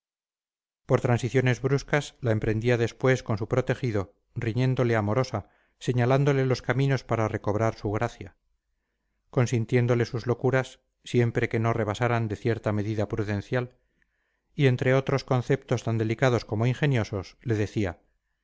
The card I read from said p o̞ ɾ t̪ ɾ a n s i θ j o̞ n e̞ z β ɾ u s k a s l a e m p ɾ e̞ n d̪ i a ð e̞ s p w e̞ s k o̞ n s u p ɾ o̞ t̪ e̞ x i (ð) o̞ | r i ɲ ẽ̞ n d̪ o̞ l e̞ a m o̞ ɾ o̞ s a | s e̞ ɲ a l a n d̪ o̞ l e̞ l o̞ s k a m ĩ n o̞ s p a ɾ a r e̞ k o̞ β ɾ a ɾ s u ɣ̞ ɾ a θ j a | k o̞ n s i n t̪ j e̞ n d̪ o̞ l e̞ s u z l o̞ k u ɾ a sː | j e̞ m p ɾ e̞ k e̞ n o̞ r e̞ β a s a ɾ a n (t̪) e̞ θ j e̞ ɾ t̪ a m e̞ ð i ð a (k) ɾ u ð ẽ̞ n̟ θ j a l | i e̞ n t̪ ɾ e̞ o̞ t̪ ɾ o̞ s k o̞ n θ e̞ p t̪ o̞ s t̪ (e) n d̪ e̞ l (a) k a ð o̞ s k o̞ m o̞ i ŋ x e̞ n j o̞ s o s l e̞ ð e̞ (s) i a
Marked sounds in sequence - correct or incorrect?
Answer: correct, incorrect, incorrect, incorrect, incorrect, incorrect

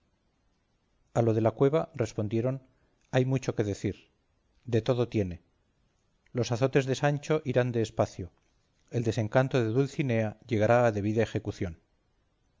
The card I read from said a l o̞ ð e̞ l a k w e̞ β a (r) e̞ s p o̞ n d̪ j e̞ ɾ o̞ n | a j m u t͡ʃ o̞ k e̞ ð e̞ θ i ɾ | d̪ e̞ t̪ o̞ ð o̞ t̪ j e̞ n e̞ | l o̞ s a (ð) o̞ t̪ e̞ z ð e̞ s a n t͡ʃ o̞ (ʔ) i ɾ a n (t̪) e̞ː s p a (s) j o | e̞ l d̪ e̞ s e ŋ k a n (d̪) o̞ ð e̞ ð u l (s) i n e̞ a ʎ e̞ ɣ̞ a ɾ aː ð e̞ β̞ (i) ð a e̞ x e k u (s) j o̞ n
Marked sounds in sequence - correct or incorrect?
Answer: correct, incorrect, correct, incorrect, incorrect, incorrect, incorrect, correct, incorrect

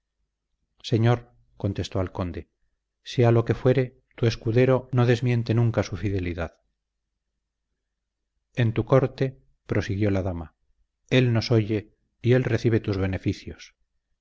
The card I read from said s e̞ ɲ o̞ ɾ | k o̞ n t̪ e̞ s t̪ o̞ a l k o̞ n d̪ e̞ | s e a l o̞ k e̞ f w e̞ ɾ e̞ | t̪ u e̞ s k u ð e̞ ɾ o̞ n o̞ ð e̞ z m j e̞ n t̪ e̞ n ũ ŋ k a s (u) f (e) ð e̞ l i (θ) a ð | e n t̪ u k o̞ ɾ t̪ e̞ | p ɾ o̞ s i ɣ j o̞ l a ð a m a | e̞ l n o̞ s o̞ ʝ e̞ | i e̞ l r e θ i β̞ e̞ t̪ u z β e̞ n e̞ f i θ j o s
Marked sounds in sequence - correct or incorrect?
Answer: correct, incorrect, incorrect

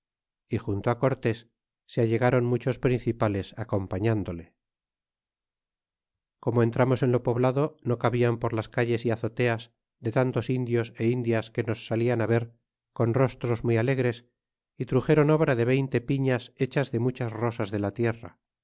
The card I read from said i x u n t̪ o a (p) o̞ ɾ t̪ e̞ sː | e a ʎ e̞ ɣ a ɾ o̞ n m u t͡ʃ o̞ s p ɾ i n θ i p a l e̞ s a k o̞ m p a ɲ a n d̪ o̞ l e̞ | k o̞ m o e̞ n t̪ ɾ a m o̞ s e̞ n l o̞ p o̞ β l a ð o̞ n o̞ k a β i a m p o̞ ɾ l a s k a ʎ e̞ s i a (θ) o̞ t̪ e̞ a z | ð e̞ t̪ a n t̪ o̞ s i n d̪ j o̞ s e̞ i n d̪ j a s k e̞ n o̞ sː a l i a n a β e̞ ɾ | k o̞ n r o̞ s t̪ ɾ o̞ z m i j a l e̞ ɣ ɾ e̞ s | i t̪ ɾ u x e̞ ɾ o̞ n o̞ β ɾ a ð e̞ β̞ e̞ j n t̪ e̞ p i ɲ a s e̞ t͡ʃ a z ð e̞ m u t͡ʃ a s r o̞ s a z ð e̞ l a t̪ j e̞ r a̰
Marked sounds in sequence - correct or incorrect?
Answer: incorrect, correct

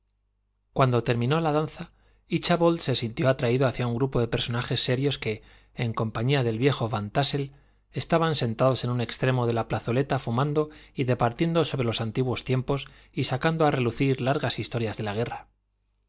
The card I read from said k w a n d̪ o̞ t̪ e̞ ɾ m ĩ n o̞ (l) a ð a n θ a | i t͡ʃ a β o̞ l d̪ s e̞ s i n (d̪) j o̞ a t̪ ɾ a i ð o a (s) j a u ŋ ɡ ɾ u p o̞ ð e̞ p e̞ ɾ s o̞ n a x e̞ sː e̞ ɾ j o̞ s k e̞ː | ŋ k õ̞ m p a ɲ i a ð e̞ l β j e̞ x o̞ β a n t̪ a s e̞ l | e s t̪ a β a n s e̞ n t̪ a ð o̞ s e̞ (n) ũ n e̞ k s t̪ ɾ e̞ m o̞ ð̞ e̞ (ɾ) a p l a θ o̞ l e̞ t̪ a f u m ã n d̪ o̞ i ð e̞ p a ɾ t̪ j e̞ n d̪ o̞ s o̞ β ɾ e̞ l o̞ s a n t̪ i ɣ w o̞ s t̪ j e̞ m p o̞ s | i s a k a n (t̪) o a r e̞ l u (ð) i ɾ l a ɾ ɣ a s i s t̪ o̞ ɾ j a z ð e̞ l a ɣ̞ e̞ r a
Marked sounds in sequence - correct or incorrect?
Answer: correct, incorrect, incorrect, correct, incorrect, incorrect, incorrect

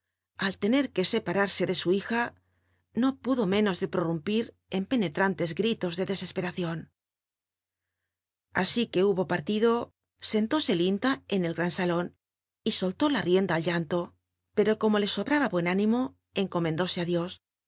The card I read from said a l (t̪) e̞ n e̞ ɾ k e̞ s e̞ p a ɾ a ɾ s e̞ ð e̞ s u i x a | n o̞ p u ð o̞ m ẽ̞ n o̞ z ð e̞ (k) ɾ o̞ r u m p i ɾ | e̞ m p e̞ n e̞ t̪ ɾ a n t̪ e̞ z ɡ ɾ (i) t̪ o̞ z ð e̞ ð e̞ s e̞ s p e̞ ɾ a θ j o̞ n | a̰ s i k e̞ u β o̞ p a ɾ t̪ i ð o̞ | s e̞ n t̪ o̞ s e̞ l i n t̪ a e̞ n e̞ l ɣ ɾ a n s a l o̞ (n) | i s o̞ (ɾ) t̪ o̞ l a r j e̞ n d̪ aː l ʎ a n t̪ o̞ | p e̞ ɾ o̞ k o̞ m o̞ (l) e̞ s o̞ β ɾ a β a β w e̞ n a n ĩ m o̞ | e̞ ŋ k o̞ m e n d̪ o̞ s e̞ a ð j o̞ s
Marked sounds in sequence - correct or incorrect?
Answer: correct, incorrect, correct, correct, incorrect, correct

